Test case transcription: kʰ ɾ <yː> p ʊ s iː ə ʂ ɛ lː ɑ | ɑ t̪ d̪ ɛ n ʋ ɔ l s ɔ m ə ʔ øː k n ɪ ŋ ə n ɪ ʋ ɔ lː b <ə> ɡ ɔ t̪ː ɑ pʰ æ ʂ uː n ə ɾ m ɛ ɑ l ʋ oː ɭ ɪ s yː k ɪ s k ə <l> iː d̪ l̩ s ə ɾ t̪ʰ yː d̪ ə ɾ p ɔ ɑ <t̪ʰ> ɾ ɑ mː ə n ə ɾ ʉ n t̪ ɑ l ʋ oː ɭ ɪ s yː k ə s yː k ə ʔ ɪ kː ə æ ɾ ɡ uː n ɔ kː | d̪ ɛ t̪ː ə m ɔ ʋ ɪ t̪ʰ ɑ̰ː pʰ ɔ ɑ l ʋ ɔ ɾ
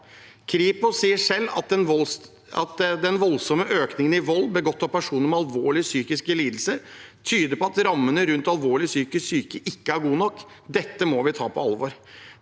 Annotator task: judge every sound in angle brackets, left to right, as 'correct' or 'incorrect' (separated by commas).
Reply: incorrect, correct, correct, incorrect